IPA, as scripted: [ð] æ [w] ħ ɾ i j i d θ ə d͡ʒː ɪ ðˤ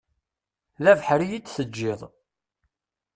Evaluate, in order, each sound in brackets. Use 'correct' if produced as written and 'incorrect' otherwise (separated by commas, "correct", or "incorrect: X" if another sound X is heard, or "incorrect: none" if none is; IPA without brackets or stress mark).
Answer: correct, incorrect: v